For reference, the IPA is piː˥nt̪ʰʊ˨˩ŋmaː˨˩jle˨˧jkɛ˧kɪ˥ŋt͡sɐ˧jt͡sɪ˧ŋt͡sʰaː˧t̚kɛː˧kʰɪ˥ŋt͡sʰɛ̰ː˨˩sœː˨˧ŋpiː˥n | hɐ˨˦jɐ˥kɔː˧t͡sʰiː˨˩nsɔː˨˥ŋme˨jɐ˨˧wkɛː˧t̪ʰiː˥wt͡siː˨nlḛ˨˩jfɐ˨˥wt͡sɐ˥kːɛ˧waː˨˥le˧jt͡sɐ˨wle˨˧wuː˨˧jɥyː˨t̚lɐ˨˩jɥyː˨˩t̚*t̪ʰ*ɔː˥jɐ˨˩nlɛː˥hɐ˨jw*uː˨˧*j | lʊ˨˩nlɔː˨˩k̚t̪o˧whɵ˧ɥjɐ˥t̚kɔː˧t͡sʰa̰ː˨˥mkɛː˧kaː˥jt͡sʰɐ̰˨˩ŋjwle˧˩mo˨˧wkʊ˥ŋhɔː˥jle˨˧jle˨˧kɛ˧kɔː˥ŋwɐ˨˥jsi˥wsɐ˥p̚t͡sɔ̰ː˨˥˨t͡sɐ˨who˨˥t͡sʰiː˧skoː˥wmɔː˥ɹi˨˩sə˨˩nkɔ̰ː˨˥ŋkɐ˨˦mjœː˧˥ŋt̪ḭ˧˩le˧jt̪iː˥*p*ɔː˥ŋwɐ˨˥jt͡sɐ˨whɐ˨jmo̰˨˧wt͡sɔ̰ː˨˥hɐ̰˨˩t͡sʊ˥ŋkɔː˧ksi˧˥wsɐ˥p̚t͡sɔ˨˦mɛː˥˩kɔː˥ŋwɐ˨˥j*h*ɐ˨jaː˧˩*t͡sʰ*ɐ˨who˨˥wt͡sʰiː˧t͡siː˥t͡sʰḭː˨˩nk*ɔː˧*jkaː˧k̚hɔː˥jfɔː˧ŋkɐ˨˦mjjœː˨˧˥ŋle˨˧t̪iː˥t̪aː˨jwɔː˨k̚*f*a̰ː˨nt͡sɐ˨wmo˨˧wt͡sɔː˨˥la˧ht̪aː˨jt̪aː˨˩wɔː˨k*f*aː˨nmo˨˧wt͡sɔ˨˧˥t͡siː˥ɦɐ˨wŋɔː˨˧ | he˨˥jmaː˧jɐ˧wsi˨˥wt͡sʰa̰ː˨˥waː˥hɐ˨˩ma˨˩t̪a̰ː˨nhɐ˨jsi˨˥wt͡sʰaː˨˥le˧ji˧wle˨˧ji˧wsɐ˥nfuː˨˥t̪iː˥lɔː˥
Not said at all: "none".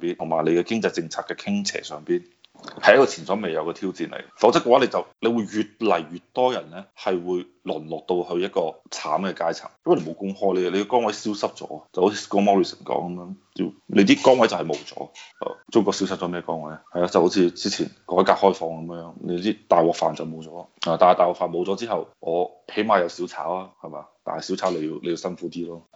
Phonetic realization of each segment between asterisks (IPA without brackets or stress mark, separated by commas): t̪, uː˨˧, k, h, t͡s, ɔː˨˥, f, f